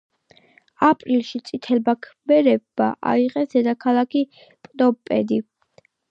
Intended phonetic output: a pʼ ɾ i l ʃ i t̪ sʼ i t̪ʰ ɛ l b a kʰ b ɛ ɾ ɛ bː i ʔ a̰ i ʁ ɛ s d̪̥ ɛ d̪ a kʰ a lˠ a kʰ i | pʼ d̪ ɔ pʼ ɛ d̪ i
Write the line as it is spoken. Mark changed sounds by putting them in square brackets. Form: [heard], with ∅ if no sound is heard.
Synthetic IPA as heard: a pʼ ɾ i l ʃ i t̪ sʼ i t̪ʰ ɛ l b a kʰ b ɛ ɾ ɛ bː [a] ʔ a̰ i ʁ ɛ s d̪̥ ɛ d̪ a kʰ a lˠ a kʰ i | pʼ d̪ ɔ pʼ ɛ d̪ i